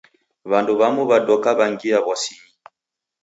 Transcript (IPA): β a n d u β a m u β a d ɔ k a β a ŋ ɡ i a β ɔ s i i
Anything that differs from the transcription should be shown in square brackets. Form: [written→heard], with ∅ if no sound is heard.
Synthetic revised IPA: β a n d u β a m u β a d ɔ k a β a ŋ ɡ i a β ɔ s i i